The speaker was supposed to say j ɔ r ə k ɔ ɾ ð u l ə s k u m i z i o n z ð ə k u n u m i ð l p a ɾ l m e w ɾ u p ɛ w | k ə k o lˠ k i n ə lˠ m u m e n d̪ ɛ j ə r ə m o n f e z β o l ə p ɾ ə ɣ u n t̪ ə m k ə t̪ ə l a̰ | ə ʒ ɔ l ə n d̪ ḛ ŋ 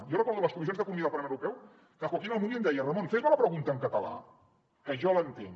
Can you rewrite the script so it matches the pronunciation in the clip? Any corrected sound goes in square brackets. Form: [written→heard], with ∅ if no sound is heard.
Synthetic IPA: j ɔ r ə k ɔ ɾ ð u l ə s k u m i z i o n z ð ə k u n u m i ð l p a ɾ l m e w ɾ u p ɛ w | k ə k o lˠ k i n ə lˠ m u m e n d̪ ɛ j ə r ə m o n f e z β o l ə p ɾ ə ɣ u n t̪ ə [m→ŋ] k ə t̪ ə l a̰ | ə ʒ ɔ l ə n [d̪→t̪] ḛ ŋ

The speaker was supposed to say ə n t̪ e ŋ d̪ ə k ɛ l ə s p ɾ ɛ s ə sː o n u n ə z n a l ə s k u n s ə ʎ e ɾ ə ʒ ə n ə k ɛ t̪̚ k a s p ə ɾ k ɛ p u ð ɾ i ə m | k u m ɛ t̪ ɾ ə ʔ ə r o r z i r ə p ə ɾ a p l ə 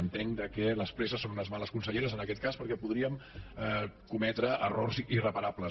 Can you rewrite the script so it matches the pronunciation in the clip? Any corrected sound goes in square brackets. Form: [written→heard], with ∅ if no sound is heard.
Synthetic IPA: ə n t̪ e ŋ d̪ ə k ɛ l ə s p ɾ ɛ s ə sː o n u n ə z [n→m] a l ə s k u n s ə ʎ e ɾ ə [ʒ→z] ə n ə k ɛ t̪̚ k a s p ə ɾ k ɛ p u ð ɾ i ə m | k u m ɛ t̪ ɾ ə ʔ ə r o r z i r ə p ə ɾ a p l ə

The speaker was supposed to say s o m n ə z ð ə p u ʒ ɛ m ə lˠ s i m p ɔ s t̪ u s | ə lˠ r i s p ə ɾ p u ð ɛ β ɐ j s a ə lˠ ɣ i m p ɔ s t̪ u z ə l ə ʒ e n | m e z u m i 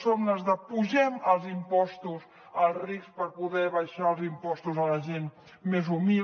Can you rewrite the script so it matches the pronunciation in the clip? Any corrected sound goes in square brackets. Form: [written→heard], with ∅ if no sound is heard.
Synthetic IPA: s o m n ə z ð ə p u ʒ ɛ m ə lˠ [s→z] i m p ɔ s t̪ u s | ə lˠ r i s p ə ɾ p u ð ɛ β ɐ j [s→ʃ] a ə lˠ [ɣ→z] i m p ɔ s t̪ u z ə l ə ʒ e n | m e z u m i

